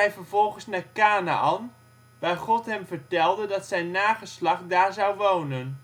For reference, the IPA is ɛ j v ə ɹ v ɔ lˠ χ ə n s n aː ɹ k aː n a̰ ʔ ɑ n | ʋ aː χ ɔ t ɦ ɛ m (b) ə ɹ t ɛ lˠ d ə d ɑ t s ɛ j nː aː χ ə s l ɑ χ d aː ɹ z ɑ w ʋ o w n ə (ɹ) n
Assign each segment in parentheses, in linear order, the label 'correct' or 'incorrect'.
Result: incorrect, incorrect

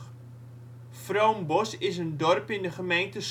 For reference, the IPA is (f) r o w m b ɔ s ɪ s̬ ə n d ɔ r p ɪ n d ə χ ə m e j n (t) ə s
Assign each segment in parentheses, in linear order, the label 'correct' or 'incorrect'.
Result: correct, correct

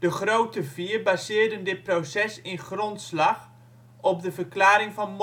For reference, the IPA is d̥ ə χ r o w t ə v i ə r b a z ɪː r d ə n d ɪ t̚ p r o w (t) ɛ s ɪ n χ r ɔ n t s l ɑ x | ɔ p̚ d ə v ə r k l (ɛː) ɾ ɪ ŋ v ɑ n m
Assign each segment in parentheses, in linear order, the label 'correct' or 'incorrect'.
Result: incorrect, incorrect

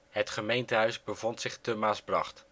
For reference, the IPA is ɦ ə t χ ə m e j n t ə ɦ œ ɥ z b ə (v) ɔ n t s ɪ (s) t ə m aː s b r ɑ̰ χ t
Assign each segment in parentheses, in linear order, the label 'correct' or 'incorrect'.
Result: correct, incorrect

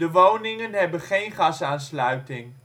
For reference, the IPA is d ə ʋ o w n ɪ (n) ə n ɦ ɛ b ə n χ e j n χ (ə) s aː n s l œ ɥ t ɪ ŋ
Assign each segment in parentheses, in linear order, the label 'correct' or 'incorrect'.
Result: incorrect, incorrect

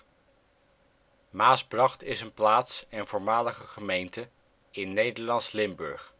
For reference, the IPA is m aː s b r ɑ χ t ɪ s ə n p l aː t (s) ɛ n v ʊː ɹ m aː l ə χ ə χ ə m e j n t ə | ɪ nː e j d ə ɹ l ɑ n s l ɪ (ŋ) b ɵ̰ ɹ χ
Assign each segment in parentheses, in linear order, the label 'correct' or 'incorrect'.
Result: correct, incorrect

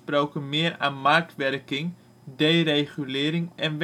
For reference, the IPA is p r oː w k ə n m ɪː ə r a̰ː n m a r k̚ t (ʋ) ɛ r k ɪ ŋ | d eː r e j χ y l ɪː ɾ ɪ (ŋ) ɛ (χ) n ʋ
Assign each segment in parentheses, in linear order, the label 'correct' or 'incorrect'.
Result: correct, correct, incorrect

